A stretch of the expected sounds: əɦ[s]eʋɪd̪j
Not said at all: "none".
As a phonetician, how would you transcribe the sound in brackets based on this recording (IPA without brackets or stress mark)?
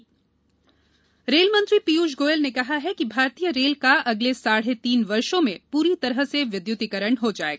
s